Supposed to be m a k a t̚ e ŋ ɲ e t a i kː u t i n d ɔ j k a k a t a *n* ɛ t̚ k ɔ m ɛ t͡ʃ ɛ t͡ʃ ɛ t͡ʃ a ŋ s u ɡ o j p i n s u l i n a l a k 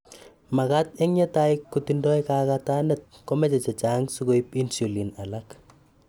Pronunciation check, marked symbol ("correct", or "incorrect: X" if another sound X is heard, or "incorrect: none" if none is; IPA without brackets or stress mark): correct